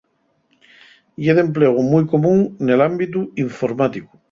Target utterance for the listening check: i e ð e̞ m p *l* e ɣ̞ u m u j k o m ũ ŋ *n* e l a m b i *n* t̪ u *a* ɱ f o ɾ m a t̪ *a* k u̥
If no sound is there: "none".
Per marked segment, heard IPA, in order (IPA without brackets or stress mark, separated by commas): l, n, none, i, i